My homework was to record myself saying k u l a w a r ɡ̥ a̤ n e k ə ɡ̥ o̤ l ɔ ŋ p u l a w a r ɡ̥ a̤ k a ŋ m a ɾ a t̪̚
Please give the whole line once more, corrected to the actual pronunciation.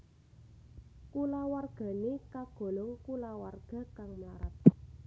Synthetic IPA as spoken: k u l a w a r ɡ̥ a̤ n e k a ɡ̥ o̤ l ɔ ŋ k u l a w a r ɡ̥ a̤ k a ŋ m a ɾ a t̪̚